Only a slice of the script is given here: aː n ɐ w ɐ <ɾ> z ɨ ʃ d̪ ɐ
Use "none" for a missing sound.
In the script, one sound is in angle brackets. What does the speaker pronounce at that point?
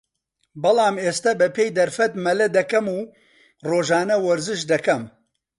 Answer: ɾ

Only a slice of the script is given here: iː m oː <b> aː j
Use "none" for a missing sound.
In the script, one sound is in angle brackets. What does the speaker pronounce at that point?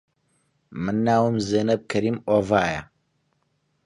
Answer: v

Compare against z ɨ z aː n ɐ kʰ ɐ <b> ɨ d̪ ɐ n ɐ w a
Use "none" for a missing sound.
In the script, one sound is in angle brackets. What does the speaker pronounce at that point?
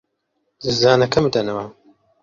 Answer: m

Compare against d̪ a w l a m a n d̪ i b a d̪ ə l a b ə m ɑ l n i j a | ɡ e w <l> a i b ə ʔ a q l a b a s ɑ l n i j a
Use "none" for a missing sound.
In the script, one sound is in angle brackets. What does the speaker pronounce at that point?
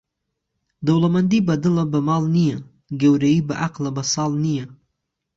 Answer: ɾ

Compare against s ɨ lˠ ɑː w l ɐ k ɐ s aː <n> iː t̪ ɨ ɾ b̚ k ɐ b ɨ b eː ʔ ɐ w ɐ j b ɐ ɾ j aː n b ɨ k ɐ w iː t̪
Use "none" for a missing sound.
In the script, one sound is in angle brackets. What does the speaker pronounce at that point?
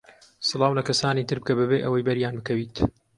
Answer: n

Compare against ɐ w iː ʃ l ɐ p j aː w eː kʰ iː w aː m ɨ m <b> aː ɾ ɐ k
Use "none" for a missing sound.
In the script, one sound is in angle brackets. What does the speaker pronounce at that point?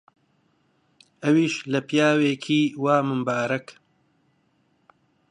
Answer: b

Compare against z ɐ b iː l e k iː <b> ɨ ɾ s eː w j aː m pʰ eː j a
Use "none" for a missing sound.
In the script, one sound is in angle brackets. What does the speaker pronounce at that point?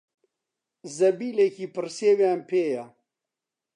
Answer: p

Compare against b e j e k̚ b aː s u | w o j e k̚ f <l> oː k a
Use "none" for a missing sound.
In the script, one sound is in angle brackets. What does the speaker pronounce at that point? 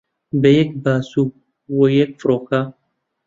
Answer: ɾ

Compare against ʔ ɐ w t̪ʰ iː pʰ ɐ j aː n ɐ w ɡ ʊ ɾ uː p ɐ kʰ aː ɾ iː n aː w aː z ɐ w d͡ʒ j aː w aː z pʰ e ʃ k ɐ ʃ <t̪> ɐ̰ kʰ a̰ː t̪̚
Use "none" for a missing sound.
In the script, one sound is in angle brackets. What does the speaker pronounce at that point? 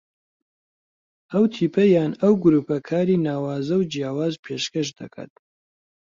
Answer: d̪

